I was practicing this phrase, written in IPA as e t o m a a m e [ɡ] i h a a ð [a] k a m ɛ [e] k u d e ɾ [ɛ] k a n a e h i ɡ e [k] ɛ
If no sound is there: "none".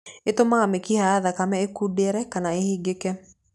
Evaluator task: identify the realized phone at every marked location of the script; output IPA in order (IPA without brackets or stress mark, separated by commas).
k, a, e, ɛ, k